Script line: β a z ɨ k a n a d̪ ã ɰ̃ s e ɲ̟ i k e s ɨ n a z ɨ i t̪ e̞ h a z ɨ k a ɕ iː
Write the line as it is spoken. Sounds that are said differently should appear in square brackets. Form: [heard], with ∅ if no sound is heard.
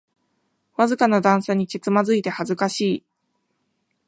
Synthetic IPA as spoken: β a z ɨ k a n a d̪ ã ɰ̃ s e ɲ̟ i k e [t͡s] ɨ [m] a z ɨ i t̪ e̞ h a z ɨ k a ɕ iː